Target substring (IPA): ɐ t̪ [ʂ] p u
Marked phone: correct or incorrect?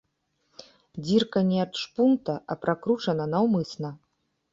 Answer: correct